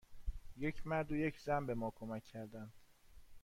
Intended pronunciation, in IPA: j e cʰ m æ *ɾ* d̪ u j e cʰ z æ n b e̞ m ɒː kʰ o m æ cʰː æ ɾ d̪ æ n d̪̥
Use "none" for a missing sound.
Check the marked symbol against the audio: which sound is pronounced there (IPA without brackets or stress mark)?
ɾ